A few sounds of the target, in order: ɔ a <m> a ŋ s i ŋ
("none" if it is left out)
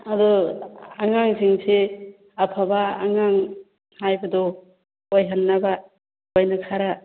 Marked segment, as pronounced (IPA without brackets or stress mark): ŋ